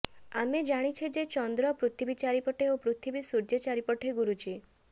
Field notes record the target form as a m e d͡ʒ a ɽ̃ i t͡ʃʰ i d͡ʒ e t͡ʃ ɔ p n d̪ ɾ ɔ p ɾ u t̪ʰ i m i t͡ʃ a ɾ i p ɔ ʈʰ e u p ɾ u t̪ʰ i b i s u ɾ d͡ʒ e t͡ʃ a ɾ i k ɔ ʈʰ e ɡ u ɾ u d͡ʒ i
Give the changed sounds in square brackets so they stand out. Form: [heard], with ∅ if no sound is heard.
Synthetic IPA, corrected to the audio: a m e d͡ʒ a ɽ̃ i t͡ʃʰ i d͡ʒ e t͡ʃ ɔ [∅] n d̪ ɾ ɔ p ɾ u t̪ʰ i [b] i t͡ʃ a ɾ i p ɔ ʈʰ e [o] p ɾ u t̪ʰ i b i s u ɾ d͡ʒ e t͡ʃ a ɾ i [p] ɔ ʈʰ e ɡ u ɾ u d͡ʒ i